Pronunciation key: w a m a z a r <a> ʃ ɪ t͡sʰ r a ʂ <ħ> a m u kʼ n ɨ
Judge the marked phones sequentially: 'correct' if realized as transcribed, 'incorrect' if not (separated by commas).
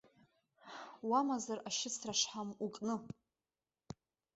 correct, correct